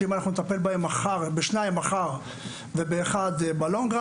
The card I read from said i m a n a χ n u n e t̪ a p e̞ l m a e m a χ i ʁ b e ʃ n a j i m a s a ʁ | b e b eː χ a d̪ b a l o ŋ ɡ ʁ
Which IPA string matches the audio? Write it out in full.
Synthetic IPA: i m a n a χ n u n e t̪ a p e̞ l b a e m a χ a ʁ b e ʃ n a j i m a χ a ʁ | v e b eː χ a d̪ b a l o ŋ ɡ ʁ